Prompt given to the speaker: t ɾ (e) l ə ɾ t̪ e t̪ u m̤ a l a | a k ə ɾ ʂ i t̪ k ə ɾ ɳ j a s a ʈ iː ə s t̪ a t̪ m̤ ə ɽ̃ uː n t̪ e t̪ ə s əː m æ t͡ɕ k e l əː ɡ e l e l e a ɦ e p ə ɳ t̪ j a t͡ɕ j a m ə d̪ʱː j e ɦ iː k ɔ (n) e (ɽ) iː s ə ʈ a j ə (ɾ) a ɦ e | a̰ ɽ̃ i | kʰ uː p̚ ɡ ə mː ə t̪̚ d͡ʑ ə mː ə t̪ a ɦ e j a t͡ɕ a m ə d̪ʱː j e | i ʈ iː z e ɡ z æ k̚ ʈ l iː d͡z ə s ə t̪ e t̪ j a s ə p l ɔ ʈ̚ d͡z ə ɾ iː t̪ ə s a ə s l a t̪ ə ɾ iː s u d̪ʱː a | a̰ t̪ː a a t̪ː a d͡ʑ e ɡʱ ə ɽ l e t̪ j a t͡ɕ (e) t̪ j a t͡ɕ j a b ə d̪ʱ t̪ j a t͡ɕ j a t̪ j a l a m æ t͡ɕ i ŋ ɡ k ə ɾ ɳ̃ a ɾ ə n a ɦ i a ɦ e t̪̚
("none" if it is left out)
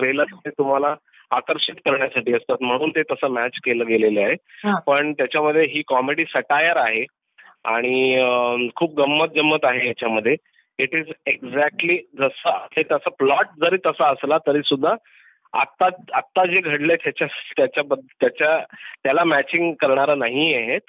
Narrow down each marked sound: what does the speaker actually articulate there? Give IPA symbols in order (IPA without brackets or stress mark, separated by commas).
e, m, ɽ, ɾ, a